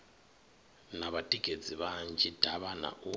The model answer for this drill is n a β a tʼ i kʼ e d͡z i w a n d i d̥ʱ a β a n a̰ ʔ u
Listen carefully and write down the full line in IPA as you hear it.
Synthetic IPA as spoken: n a β a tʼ i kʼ e d͡z i β a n d͡ʒ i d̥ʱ a β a n a̰ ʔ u